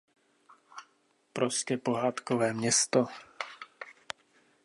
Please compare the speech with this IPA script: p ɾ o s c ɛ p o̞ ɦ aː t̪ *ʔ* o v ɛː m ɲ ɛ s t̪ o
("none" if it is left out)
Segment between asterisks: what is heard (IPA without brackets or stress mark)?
k